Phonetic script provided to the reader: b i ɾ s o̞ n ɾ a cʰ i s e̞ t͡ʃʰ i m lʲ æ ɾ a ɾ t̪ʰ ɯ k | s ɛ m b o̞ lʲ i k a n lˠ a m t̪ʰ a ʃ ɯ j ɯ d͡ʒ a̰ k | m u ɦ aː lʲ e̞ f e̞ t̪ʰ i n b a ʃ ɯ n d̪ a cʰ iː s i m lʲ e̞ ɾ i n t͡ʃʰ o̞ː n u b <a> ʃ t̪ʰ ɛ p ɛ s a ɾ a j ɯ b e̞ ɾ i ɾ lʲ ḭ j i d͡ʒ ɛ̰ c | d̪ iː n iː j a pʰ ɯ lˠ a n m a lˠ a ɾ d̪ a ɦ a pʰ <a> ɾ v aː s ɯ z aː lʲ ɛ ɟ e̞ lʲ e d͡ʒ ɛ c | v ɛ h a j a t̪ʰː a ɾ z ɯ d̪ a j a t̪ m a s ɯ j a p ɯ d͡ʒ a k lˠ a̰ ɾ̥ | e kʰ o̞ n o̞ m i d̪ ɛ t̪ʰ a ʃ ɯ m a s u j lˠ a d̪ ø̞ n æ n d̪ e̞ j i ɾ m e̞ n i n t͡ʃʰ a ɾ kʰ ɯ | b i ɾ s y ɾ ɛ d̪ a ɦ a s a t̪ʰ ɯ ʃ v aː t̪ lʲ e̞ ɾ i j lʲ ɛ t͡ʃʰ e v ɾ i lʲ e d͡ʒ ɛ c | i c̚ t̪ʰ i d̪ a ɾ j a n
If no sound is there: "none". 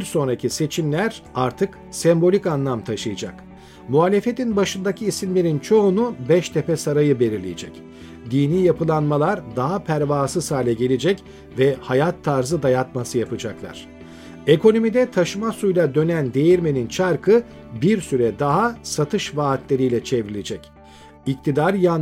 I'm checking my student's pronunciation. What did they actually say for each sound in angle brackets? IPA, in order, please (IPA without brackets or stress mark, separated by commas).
ɛ, æ